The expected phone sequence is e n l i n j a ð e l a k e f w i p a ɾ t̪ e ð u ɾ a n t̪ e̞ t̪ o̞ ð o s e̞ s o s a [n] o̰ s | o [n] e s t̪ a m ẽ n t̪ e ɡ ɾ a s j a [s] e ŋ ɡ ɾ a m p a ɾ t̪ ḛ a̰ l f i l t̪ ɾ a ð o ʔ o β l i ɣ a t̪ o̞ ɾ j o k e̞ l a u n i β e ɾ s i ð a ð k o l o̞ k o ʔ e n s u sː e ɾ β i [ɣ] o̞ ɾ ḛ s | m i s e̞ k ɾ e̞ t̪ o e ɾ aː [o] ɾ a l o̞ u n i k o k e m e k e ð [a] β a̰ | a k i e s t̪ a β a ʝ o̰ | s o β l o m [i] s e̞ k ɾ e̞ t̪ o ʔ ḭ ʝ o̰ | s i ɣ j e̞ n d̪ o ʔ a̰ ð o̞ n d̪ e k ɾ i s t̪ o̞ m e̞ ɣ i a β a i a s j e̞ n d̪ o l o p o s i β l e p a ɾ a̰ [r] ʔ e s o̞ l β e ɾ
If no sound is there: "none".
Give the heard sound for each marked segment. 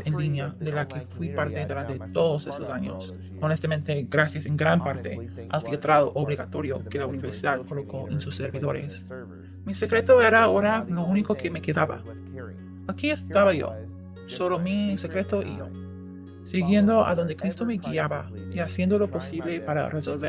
ɲ, n, s, ð, o, a, i, r

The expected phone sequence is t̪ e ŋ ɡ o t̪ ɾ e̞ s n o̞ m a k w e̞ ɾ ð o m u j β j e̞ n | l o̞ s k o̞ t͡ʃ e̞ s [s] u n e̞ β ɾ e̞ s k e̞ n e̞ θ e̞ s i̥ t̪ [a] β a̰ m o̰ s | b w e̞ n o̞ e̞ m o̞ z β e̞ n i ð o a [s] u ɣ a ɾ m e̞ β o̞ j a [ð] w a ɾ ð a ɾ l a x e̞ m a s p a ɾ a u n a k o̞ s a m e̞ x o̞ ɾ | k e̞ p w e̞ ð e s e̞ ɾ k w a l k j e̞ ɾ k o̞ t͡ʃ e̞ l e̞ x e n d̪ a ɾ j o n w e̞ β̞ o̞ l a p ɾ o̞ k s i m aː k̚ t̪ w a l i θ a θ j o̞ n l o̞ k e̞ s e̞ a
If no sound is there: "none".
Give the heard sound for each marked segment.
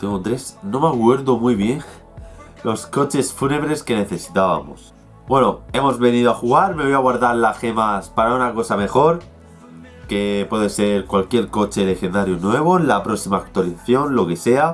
f, a, x, ɣ

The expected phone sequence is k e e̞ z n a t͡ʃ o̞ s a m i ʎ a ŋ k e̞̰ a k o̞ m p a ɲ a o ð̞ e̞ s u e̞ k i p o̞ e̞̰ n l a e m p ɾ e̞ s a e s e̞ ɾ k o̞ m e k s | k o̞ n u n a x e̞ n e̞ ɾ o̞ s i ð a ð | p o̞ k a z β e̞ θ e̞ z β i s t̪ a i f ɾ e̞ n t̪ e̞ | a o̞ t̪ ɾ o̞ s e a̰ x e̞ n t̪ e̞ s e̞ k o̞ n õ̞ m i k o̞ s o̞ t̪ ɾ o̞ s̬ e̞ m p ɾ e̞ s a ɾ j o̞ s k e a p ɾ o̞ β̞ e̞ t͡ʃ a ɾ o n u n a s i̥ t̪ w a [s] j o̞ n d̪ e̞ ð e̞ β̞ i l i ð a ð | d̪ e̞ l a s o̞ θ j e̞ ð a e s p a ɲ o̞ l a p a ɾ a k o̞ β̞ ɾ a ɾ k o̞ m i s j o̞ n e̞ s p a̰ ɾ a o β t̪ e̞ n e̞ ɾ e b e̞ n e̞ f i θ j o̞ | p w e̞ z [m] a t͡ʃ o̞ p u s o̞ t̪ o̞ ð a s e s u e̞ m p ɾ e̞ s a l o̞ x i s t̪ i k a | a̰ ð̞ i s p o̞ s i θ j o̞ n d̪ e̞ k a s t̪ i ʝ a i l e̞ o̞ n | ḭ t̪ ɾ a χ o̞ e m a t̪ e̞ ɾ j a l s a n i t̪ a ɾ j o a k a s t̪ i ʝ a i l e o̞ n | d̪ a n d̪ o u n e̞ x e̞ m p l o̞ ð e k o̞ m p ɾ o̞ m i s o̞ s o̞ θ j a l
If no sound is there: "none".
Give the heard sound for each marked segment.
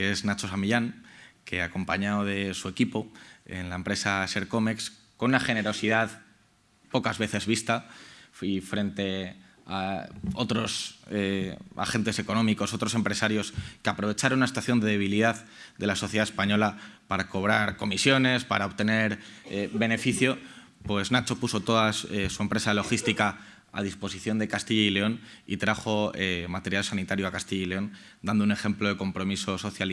θ, n

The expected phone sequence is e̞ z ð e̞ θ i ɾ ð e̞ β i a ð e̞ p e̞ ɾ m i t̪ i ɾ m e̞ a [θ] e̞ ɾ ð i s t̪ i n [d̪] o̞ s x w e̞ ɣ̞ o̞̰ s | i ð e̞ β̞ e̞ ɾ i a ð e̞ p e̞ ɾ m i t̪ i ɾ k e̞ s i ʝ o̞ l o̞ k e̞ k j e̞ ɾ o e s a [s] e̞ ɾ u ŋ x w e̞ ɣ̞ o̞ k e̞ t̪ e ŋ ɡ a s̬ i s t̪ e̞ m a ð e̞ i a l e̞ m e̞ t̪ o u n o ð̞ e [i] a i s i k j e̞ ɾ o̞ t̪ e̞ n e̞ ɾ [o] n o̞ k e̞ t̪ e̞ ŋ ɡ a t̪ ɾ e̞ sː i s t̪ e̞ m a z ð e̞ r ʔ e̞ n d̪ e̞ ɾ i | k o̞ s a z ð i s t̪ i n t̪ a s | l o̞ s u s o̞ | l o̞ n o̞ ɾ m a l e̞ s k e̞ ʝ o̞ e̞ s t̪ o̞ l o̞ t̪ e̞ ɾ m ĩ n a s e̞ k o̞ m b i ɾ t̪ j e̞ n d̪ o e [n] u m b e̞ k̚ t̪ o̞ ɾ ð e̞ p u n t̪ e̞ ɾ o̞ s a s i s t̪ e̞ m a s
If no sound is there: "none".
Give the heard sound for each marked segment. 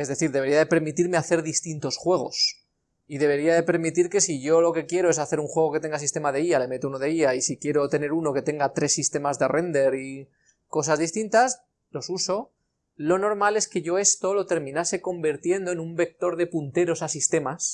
θ, t̪, θ, i, u, n

